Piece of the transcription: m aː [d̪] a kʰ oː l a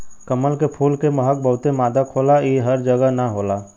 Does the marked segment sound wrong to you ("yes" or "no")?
no